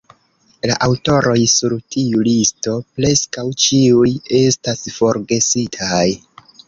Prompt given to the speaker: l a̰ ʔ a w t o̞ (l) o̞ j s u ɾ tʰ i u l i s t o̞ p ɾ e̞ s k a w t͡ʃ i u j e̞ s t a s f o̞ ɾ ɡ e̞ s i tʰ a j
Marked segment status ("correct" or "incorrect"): incorrect